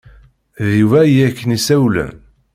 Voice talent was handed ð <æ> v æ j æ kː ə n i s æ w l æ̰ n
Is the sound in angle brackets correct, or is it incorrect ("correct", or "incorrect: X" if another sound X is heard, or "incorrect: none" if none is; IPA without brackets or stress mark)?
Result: incorrect: i